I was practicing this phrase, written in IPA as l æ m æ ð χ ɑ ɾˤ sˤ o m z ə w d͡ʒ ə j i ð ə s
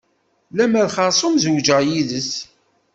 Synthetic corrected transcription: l æ m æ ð χ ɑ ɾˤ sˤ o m z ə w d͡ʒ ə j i ð ə s